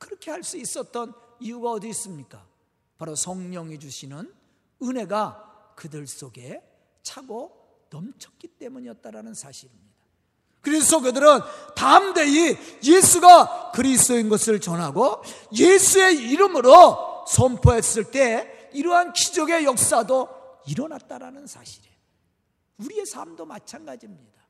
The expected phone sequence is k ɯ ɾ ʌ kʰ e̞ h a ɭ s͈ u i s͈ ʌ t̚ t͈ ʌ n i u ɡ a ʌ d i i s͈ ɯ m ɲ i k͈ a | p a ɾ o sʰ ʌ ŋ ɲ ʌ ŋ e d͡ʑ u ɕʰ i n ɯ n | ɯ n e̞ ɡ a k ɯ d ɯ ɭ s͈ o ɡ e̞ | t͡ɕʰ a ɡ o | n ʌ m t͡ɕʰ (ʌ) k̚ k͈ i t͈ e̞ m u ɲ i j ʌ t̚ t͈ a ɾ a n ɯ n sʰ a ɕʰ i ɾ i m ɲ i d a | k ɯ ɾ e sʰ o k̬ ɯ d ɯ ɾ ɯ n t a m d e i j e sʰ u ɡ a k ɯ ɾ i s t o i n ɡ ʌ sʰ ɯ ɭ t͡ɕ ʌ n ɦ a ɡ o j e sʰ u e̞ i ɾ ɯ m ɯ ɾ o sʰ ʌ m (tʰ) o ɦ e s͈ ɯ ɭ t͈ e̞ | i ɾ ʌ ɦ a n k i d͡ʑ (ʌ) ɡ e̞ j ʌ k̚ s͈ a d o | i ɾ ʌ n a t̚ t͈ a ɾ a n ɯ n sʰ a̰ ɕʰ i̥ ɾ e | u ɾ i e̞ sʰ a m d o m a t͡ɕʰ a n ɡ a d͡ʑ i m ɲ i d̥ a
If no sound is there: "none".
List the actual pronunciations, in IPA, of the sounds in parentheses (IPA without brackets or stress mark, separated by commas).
ʌ, pʰ, ʌ